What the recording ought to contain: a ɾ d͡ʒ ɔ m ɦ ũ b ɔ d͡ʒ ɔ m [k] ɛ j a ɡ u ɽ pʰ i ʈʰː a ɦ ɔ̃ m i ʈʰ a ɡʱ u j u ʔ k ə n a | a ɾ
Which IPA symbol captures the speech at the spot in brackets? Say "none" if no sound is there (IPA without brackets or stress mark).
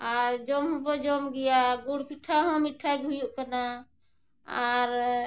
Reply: ɡ